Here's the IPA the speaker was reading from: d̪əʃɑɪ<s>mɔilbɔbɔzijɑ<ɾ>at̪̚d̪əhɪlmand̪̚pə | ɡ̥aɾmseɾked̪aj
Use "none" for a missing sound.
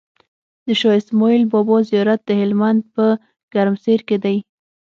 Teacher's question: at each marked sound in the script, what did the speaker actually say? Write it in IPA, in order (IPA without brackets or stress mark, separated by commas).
s, ɾ